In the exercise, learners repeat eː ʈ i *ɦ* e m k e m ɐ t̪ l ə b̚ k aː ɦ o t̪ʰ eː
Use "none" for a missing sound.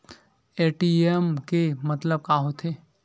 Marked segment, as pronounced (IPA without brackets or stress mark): none